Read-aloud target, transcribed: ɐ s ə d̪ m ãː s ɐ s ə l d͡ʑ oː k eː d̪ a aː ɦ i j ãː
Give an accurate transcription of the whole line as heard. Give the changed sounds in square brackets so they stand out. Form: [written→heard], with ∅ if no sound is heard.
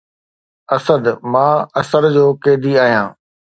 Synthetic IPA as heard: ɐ s ə d̪ m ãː [s→∅] ɐ s ə [l→ɾ] d͡ʑ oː k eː d̪ [a→i] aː ɦ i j ãː